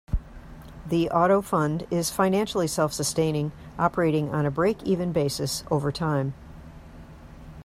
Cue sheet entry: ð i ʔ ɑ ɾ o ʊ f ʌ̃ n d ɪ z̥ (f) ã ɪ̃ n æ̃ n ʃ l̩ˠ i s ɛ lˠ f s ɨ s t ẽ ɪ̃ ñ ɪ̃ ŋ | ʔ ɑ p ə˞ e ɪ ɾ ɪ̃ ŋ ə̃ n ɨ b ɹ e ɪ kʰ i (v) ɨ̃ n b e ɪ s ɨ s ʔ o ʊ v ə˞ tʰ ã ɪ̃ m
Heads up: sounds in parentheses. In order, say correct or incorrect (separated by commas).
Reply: correct, correct